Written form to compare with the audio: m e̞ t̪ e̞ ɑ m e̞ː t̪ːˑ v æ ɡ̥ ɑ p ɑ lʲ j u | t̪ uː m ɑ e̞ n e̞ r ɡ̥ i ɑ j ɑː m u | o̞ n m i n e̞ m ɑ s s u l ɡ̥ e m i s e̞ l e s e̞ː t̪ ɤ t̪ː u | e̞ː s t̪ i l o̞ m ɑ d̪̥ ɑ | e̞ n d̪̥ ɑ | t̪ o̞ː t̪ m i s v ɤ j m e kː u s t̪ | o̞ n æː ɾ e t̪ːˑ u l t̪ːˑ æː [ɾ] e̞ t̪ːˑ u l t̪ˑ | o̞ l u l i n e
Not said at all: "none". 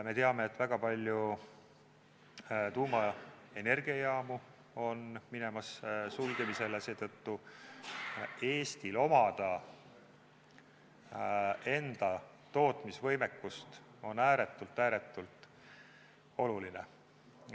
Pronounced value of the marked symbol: ɾ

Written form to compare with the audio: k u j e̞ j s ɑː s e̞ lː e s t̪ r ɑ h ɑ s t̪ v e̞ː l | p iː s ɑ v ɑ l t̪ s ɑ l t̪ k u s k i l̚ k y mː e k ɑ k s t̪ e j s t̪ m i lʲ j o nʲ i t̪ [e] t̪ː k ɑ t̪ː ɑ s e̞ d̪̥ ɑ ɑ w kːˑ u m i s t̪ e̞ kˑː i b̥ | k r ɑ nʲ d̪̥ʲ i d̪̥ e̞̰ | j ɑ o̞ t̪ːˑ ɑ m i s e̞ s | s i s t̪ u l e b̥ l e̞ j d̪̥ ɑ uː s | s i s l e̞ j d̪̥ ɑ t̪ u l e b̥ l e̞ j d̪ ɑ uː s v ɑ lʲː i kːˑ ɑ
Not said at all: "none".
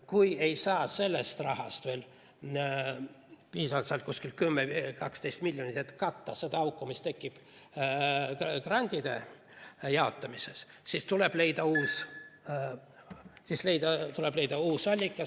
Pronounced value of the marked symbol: e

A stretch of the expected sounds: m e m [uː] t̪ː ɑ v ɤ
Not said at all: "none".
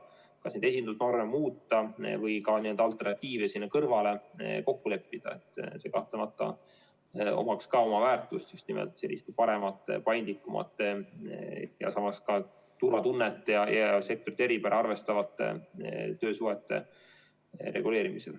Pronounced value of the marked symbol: uː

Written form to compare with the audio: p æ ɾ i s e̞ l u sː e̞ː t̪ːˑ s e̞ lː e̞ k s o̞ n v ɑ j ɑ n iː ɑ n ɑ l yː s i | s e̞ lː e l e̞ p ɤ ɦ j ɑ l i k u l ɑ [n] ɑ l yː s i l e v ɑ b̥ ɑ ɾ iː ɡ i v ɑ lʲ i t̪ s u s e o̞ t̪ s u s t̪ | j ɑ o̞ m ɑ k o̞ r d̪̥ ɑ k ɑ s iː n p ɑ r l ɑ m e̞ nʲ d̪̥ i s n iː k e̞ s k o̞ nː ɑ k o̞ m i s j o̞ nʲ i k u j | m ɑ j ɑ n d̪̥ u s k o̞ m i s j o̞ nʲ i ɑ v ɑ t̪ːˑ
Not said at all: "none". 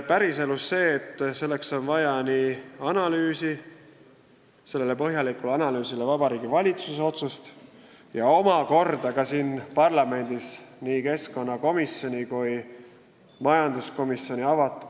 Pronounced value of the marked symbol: n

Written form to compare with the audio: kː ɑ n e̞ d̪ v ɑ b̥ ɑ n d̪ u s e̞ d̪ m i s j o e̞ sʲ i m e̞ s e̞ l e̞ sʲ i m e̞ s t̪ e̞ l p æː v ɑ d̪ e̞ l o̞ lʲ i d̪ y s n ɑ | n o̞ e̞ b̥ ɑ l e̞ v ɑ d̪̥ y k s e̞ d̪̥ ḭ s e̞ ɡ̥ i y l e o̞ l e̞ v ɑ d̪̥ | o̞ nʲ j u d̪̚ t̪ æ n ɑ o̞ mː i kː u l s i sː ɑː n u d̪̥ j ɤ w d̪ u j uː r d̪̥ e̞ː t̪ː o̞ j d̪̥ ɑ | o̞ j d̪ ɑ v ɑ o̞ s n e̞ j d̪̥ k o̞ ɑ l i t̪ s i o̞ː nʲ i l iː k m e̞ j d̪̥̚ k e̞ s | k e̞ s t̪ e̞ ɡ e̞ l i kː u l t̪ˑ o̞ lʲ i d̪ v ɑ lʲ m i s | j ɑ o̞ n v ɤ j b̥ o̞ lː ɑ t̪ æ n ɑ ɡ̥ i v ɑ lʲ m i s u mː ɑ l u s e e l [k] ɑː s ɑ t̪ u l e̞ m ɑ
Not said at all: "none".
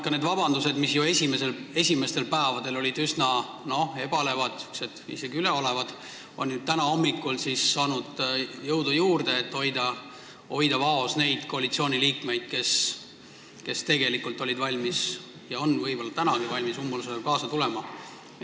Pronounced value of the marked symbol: k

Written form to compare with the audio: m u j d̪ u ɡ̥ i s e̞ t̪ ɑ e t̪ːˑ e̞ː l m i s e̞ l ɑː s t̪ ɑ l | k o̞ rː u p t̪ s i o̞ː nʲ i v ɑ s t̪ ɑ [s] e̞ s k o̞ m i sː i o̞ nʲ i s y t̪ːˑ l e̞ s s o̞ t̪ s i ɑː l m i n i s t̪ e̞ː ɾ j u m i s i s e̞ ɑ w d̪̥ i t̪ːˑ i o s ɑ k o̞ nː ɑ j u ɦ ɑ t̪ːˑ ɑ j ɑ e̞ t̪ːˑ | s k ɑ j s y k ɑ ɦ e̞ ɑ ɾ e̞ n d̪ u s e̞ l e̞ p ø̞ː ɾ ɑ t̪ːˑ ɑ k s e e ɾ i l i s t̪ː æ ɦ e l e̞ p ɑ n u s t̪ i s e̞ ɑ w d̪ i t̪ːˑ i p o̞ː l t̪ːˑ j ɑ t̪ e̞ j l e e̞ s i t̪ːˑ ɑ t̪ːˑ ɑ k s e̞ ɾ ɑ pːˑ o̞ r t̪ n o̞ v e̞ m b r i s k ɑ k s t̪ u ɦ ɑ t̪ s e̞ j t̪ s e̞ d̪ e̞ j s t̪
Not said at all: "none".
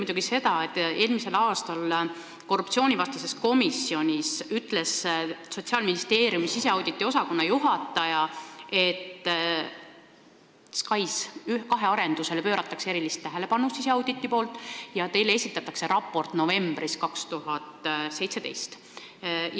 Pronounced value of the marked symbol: s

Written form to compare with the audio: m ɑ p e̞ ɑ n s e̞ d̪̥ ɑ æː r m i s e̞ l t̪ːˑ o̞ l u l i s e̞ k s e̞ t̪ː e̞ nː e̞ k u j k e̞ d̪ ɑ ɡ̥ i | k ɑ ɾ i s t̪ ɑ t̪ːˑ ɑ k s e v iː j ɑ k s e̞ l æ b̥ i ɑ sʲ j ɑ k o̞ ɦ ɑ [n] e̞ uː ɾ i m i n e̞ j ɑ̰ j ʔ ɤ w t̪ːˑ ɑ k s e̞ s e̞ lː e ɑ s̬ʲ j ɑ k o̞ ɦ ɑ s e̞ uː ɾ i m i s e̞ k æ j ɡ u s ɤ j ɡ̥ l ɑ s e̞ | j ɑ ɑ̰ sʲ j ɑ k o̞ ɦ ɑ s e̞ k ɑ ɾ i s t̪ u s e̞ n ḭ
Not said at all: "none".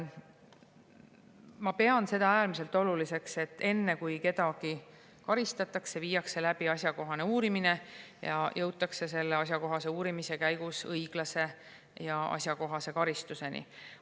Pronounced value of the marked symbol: n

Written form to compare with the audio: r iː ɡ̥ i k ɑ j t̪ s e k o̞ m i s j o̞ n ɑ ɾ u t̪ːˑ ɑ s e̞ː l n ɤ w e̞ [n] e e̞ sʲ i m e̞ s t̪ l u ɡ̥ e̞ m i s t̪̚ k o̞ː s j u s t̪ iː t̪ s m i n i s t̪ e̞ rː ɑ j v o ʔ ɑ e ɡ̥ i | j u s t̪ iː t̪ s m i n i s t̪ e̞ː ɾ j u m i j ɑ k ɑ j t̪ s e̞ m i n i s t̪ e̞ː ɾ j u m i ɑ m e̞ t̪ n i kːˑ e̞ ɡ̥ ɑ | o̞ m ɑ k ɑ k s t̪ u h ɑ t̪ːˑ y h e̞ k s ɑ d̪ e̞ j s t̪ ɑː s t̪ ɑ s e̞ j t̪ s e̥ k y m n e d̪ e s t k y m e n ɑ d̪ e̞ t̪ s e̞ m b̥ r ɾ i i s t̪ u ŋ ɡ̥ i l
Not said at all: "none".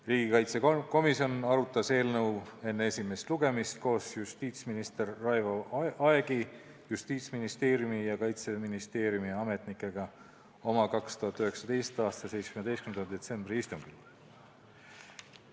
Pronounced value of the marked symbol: nː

